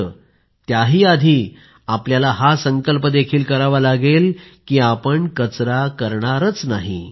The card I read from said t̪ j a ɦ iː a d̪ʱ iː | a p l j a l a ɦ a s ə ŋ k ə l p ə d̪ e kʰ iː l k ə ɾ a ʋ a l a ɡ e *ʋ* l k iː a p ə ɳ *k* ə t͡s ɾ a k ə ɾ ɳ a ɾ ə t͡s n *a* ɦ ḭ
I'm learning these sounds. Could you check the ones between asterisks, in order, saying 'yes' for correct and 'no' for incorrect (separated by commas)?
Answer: no, yes, yes